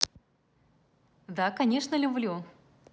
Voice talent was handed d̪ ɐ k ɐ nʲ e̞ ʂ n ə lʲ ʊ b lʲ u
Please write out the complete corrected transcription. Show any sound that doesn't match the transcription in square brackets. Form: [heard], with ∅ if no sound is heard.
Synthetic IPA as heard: d̪ [a] k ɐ nʲ e̞ ʂ n ə lʲ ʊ b lʲ u